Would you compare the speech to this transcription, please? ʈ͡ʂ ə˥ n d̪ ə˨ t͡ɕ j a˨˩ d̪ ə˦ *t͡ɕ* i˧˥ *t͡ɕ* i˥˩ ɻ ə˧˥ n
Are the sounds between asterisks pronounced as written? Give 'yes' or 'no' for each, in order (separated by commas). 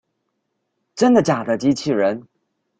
yes, no